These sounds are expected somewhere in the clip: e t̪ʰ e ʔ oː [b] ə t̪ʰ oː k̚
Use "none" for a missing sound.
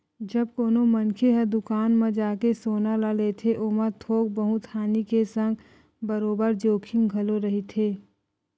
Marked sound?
m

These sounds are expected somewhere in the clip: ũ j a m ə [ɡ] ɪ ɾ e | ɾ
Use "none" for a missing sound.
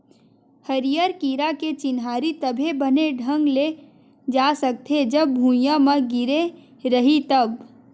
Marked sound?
ɡ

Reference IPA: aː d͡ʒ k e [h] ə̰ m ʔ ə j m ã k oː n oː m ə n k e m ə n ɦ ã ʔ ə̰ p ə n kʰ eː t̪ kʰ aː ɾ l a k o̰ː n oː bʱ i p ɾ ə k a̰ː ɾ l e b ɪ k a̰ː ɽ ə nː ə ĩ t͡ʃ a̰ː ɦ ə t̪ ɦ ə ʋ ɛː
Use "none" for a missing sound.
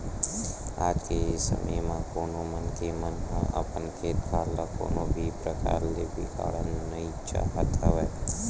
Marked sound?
s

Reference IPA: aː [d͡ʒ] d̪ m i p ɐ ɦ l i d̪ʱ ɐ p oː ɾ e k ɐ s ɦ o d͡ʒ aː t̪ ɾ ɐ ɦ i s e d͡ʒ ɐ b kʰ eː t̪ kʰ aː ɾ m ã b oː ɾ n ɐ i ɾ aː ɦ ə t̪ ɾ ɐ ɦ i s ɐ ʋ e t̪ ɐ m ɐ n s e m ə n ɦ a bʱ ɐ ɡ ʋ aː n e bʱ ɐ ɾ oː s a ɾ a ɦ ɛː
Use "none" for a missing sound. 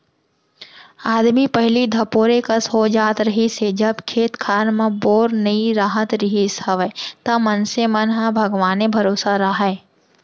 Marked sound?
none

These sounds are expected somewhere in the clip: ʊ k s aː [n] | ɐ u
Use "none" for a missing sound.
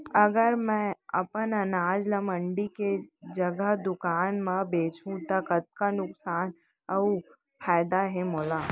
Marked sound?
n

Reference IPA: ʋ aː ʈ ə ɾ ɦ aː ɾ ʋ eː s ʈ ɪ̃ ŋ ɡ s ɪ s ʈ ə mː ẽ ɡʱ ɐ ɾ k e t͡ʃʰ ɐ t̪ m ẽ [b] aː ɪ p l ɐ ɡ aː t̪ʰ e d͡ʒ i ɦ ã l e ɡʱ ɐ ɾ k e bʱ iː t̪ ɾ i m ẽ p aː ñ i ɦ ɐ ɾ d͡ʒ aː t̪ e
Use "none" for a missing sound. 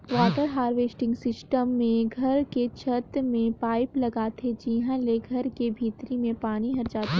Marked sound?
p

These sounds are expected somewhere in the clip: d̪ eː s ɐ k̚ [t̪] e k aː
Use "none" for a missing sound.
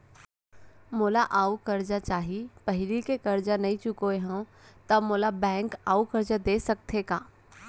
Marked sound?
t̪ʰ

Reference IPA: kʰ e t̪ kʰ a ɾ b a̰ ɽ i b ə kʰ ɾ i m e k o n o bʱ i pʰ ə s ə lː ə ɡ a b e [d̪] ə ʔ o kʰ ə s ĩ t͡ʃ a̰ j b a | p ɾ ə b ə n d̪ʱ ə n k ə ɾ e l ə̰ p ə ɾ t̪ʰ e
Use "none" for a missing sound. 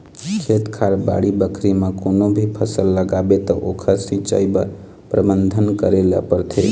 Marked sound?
t̪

